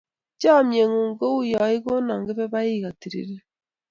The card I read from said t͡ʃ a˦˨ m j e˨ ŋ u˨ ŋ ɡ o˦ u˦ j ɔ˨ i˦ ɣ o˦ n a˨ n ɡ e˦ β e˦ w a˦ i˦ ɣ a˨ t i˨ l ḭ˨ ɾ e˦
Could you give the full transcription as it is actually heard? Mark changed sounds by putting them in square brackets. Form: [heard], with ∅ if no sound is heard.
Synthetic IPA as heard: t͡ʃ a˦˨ m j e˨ ŋ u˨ ŋ ɡ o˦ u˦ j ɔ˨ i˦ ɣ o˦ n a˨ [ŋ] ɡ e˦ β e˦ [β] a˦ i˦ ɣ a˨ t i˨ [ɾ] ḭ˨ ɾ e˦